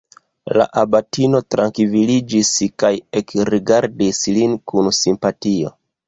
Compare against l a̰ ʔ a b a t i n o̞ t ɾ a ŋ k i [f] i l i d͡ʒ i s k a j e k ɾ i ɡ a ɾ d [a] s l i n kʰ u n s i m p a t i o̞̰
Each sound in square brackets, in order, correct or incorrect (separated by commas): incorrect, incorrect